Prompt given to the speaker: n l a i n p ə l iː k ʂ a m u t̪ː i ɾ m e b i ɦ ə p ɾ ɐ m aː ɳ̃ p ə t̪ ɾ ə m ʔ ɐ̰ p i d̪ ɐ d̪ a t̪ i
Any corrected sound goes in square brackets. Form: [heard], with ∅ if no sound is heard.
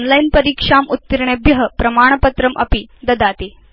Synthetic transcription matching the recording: n l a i n p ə [ɾ] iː k ʂ a m u t̪ː i ɾ [ɳ] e b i ɦ ə p ɾ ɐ m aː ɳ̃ p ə t̪ ɾ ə m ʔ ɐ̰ p i d̪ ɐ d̪ a t̪ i